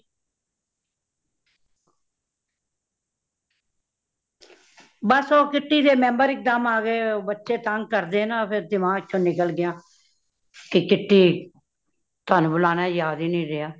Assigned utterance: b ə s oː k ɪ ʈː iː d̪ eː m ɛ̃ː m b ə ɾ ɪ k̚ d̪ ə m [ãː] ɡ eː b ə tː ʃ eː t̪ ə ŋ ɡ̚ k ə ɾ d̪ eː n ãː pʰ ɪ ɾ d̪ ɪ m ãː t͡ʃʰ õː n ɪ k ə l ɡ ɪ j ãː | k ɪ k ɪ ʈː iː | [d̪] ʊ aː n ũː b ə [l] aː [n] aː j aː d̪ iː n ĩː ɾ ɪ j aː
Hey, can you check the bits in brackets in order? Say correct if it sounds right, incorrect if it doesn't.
incorrect: aː, incorrect: t̪, correct, correct

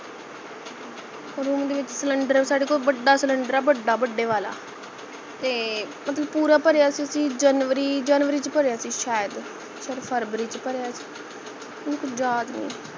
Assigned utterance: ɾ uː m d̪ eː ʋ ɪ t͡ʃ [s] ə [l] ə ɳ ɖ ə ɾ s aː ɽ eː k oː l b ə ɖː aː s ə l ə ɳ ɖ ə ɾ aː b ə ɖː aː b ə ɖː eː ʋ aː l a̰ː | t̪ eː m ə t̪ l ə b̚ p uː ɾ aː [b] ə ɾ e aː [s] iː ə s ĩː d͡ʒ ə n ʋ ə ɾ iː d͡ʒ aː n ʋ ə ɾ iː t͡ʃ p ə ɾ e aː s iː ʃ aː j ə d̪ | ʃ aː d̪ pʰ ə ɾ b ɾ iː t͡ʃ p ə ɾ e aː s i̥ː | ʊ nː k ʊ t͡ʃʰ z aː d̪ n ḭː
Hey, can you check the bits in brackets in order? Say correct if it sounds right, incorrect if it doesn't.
correct, correct, incorrect: p, correct

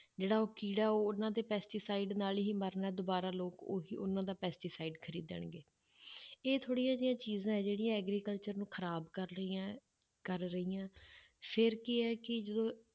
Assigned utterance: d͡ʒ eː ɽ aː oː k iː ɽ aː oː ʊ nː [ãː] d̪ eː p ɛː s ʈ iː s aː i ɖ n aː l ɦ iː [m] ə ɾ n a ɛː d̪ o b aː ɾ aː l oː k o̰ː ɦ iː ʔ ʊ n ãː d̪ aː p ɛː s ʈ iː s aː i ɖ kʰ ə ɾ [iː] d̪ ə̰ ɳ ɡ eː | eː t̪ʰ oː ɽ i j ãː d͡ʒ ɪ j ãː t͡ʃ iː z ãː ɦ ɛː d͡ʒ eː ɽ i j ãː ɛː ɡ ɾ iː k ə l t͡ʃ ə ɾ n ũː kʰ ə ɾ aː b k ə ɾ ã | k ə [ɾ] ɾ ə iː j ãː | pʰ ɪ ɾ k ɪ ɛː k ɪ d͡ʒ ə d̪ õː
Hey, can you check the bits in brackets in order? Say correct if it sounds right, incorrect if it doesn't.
correct, correct, correct, correct

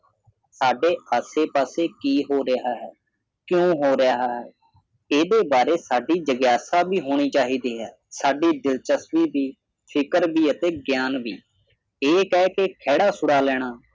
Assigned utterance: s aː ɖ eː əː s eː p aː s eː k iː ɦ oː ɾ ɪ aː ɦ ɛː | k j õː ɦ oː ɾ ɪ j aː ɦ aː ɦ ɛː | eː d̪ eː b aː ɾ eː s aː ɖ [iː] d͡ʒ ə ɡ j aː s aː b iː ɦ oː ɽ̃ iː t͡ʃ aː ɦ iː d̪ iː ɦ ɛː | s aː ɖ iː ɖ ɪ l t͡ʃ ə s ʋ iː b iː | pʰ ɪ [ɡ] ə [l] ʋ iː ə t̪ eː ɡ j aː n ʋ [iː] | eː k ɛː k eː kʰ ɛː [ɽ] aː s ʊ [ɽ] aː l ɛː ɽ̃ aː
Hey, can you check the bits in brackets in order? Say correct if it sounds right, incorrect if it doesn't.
correct, incorrect: k, incorrect: ɾ, correct, correct, correct

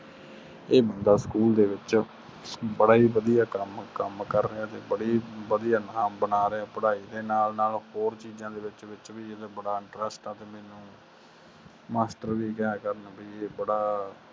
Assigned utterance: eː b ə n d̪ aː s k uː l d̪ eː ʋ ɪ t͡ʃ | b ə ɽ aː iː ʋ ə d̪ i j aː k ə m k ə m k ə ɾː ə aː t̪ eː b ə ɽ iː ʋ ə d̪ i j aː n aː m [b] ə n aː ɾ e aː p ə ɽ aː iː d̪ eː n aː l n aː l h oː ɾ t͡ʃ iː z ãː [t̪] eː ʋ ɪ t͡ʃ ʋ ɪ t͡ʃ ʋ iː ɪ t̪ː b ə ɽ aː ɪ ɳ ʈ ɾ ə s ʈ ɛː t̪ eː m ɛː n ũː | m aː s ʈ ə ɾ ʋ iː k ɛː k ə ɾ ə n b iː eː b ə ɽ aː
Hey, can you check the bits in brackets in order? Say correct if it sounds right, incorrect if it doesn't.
correct, incorrect: d̪

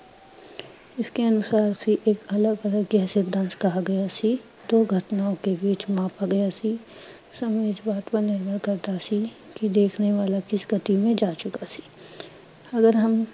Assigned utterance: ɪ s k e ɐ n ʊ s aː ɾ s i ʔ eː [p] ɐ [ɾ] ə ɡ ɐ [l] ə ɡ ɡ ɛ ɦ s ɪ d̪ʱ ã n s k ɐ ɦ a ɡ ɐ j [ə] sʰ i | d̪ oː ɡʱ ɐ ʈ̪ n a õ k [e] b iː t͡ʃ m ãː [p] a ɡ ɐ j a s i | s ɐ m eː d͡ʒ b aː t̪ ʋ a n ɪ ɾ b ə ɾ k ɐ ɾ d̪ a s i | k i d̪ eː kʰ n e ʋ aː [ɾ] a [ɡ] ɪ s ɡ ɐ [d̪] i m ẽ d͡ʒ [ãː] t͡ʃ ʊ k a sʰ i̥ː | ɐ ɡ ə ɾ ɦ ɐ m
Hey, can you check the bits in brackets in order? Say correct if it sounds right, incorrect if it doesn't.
incorrect: k, incorrect: l, correct, incorrect: a, correct, correct, incorrect: l, incorrect: k, incorrect: t̪, incorrect: aː

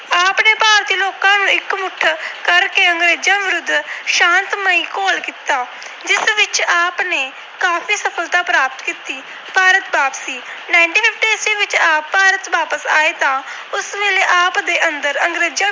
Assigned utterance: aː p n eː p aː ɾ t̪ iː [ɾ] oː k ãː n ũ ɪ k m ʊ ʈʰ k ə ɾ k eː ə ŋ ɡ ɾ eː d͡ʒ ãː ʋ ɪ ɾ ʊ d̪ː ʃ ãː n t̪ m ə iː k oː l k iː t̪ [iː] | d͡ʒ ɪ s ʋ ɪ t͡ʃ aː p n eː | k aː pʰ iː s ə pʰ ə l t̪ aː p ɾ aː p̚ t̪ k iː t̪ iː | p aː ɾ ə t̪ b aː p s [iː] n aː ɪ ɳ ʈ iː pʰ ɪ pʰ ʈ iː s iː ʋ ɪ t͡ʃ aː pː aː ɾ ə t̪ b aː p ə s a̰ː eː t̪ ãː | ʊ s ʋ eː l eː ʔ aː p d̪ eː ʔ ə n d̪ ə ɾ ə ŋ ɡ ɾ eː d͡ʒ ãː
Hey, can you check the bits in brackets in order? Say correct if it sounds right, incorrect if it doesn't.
incorrect: l, incorrect: aː, correct

